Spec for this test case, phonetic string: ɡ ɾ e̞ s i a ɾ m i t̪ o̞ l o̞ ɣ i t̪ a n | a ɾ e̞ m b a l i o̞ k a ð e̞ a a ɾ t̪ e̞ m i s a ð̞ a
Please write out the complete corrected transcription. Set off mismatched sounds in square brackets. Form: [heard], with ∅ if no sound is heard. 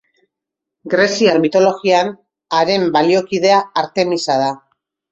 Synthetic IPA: ɡ ɾ e̞ s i a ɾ m i t̪ o̞ l o̞ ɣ i [∅] a n | a ɾ e̞ m b a l i o̞ k [i] ð e̞ a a ɾ t̪ e̞ m i s a ð̞ a